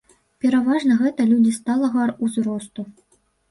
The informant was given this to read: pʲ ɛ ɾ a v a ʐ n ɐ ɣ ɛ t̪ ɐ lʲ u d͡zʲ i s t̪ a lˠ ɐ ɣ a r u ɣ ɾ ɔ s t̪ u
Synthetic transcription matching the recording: pʲ ɛ ɾ a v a ʐ n ɐ ɣ ɛ t̪ ɐ lʲ u d͡zʲ i s t̪ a lˠ ɐ ɣ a r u z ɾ ɔ s t̪ u